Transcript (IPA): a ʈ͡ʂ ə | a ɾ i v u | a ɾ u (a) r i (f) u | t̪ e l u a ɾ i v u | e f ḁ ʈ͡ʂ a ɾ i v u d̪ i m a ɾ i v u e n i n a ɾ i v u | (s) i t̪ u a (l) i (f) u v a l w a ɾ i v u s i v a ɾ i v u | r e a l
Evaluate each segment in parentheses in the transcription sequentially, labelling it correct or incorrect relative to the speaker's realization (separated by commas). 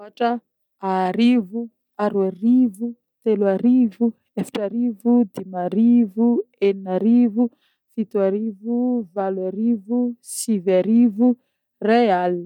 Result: correct, incorrect, incorrect, incorrect, incorrect